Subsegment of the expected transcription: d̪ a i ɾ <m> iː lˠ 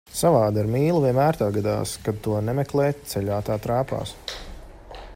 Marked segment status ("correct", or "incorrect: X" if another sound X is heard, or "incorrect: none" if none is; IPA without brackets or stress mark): correct